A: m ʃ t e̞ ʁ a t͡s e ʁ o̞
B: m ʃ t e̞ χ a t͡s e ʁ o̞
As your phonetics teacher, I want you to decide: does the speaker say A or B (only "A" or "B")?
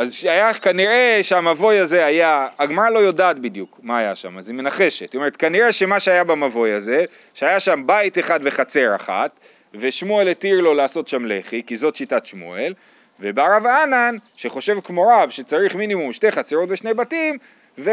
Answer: B